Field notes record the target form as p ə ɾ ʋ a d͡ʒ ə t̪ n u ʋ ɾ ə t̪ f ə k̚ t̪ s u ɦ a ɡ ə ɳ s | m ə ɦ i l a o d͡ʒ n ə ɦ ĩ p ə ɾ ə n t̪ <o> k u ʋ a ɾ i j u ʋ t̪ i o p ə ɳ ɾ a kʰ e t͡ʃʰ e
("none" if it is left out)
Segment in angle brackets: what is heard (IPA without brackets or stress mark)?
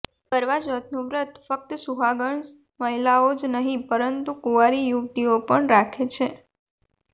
u